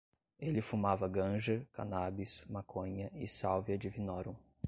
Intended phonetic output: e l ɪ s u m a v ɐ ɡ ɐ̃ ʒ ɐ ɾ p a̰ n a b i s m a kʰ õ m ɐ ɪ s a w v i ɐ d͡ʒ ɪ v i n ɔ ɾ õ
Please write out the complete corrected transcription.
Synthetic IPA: e l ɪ f u m a v ɐ ɡ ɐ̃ ʒ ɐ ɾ k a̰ n a b i s m a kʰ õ ɲ ɐ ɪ s a w v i ɐ d͡ʒ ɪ v i n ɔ ɾ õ